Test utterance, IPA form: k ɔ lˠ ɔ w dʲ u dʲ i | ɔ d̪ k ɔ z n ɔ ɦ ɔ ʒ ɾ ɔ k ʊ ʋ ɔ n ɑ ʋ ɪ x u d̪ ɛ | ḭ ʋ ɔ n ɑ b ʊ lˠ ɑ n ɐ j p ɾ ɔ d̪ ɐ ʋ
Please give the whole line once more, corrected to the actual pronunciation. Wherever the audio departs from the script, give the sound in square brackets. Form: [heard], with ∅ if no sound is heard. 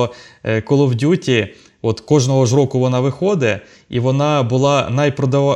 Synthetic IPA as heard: k ɔ lˠ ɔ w dʲ u [tʲ] i | ɔ [t̪] k ɔ [ʒ] n ɔ ɦ ɔ ʒ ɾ ɔ k ʊ ʋ ɔ n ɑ ʋ ɪ x [ɔ] d̪ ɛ | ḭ ʋ ɔ n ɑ b ʊ lˠ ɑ n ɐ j p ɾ ɔ d̪ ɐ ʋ